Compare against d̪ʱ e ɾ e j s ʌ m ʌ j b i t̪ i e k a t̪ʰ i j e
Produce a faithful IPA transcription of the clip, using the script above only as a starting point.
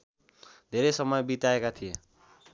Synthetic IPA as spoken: d̪ʱ e ɾ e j s ʌ m ʌ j b i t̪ a e k a t̪ʰ i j e